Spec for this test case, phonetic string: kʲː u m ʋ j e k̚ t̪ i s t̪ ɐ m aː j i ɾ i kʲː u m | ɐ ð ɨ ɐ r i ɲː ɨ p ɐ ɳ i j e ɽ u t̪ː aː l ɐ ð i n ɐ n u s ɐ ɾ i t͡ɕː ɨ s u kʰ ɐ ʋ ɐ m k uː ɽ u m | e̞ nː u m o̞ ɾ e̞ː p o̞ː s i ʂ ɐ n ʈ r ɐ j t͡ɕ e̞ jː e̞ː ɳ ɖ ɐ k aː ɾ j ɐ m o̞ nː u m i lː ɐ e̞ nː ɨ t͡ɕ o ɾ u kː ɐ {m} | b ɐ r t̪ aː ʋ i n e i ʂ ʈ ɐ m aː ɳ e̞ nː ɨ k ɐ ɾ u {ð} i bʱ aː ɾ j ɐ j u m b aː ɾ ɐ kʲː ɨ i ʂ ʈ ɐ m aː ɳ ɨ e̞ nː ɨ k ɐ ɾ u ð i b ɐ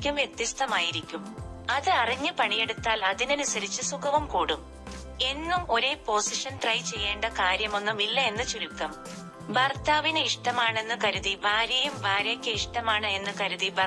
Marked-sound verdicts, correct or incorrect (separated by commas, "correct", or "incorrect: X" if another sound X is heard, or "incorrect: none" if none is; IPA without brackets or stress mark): correct, correct